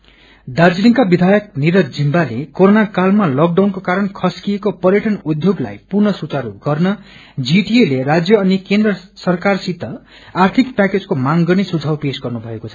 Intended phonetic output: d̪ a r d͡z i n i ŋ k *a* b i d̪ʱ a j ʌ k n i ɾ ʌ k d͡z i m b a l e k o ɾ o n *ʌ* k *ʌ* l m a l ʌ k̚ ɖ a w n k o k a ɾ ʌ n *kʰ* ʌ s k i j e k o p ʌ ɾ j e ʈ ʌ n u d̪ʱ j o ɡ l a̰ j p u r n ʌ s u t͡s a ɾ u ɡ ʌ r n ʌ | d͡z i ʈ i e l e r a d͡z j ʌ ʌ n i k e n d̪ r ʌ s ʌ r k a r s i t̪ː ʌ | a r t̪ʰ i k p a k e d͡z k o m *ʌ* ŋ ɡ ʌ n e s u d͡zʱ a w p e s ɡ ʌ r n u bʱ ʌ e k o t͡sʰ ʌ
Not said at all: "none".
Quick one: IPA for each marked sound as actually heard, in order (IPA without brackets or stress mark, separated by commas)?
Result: a, a, a, kʰ, a